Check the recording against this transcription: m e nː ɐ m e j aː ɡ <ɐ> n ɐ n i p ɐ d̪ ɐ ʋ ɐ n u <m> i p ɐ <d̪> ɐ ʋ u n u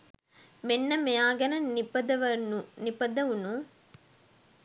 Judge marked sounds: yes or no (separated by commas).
yes, no, yes